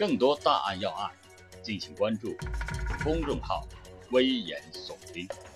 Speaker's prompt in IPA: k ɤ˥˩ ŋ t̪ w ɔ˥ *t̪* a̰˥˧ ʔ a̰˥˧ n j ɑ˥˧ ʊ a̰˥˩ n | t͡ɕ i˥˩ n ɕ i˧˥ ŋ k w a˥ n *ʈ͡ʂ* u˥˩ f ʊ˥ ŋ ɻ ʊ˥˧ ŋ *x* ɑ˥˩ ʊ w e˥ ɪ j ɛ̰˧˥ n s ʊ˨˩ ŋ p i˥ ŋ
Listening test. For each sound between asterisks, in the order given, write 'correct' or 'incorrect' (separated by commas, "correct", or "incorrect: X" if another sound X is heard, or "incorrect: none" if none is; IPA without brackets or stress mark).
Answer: correct, correct, correct